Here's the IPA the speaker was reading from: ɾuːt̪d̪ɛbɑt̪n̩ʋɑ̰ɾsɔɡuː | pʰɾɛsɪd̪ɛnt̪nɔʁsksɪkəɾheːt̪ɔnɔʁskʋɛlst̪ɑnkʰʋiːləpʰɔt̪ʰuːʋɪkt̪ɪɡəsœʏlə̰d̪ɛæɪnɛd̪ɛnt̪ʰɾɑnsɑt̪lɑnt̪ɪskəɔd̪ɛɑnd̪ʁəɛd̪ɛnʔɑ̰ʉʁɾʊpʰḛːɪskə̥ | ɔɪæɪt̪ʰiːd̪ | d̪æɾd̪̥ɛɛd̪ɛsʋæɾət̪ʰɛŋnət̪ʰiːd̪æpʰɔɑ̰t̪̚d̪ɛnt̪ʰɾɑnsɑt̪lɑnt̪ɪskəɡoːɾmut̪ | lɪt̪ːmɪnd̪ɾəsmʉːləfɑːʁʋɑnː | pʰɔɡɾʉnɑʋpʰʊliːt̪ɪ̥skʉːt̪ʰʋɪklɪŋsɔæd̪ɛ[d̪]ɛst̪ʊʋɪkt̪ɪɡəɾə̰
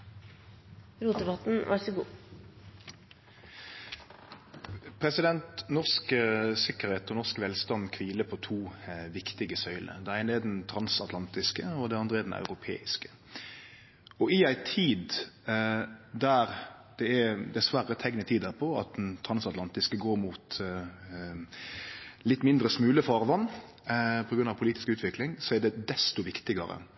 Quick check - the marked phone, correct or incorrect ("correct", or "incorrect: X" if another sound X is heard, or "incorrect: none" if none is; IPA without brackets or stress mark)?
correct